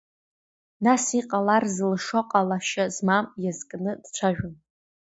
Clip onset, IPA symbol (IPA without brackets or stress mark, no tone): n